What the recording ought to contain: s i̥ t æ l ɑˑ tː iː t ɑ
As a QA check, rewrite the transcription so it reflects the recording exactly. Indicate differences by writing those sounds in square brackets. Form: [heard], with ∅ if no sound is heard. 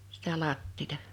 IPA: s i̥ t æ l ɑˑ tː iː t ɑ